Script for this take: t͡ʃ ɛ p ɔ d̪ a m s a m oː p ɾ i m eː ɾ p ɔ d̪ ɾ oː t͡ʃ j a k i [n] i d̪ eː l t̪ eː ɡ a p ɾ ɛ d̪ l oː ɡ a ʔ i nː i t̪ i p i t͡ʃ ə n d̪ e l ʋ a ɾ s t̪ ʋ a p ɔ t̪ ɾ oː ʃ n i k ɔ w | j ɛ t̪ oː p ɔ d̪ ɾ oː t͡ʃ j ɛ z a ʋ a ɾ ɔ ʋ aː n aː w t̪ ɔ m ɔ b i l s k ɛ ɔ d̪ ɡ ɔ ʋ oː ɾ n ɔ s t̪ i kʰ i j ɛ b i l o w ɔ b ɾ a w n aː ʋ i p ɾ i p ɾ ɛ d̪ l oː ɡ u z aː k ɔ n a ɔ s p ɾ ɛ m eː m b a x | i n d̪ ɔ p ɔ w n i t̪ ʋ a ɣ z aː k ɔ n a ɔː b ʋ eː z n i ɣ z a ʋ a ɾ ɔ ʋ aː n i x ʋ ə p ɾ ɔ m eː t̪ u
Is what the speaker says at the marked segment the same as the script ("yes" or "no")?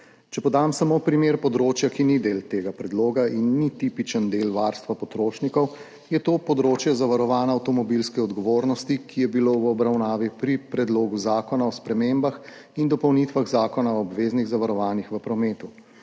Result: yes